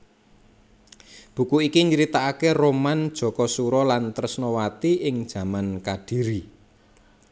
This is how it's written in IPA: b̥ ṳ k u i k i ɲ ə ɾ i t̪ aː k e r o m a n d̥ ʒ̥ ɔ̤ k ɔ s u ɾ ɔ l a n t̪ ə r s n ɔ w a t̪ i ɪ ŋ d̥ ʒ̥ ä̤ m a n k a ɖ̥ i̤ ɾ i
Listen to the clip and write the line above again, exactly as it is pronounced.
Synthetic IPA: b̥ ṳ k u i k i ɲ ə ɾ i t̪ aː k e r o m a n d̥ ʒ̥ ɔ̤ k ɔ s u ɾ ɔ l a n t̪ ə r s n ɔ w a t̪ i ɪ ŋ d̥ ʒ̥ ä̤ m a n k a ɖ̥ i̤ ɾ i